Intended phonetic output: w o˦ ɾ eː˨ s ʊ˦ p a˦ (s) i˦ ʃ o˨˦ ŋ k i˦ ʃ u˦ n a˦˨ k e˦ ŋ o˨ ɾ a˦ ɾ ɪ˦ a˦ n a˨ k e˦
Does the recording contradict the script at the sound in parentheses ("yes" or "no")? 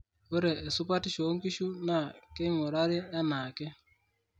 yes